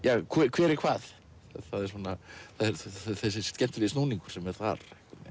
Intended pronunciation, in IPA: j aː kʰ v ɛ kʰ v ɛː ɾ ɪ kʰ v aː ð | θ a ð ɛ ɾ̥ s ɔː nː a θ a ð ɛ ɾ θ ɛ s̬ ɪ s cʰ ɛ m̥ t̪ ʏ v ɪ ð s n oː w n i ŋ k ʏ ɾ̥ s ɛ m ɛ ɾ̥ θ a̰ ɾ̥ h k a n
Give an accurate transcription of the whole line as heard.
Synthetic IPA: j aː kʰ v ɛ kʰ v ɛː ɾ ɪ kʰ v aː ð | θ a ð ɛ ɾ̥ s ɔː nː a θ a ð ɛ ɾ θ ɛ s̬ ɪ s c ɛ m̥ t̪ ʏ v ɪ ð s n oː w n i ŋ k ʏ ɾ̥ s ɛ m ɛ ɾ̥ θ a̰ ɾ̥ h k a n